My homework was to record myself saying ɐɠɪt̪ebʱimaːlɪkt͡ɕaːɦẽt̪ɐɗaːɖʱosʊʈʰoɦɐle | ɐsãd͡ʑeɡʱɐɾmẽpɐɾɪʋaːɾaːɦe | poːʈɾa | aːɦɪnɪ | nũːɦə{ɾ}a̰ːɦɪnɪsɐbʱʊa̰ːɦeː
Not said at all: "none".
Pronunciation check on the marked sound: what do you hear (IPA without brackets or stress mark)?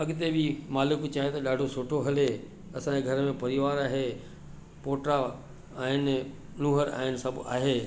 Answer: ɾ